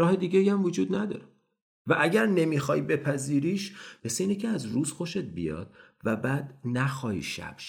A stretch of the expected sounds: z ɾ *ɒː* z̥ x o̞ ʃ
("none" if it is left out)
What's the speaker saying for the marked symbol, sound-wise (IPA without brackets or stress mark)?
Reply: uː